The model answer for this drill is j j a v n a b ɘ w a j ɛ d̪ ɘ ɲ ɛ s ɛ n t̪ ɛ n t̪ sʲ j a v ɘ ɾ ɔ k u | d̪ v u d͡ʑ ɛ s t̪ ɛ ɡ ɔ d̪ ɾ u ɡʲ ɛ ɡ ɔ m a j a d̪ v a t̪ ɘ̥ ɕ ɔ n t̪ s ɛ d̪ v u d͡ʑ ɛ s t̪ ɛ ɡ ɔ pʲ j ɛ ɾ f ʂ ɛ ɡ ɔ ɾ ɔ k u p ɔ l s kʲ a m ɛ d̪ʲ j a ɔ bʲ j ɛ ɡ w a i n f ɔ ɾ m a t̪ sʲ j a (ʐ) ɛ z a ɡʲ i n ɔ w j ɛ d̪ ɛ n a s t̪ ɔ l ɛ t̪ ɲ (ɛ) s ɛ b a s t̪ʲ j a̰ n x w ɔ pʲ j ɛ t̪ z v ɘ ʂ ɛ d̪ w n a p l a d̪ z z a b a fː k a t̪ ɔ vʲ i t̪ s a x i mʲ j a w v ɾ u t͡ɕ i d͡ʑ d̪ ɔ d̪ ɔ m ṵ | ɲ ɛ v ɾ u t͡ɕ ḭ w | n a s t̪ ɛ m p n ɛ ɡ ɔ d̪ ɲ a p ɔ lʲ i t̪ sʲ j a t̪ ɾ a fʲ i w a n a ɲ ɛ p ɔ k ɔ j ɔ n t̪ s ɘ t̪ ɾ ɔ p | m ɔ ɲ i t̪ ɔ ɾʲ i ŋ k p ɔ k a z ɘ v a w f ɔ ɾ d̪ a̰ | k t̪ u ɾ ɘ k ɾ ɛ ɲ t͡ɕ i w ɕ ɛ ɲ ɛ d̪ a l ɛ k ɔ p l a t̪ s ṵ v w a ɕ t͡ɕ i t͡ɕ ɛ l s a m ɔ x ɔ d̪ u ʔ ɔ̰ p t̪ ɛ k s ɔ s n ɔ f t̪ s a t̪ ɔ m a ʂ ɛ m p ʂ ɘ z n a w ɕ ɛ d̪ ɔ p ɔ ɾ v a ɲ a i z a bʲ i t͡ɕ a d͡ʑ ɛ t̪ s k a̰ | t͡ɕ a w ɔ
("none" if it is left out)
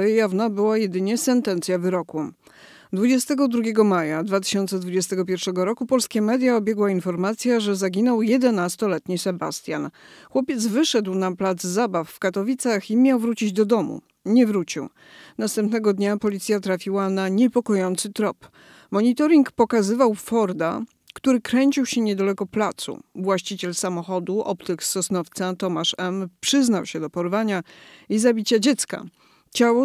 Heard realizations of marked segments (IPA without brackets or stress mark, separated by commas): ʐ, i